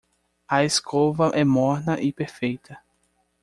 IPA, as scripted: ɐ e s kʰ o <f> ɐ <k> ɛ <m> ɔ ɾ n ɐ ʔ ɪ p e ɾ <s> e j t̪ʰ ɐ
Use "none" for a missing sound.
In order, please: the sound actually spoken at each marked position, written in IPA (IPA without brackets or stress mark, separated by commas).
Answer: v, ʔ, m, f